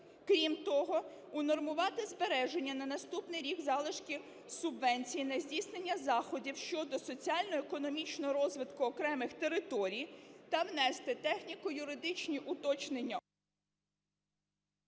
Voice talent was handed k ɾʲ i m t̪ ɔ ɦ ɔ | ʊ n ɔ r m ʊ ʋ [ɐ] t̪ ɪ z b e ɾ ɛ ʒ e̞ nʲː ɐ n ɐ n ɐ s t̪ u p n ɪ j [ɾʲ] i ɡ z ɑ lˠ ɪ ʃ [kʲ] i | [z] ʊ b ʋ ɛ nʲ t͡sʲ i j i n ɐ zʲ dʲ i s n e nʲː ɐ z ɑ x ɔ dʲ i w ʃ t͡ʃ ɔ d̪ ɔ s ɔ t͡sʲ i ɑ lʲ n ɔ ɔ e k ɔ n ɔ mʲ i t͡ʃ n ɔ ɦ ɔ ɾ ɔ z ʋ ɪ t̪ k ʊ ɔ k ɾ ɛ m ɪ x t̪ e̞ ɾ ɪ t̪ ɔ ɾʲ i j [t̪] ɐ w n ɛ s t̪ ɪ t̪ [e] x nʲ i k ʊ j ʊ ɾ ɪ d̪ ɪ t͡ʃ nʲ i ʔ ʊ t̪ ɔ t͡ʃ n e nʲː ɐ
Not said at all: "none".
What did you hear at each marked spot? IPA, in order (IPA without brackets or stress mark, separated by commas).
ɑ, ɾʲ, kʲ, s, t̪, ɛ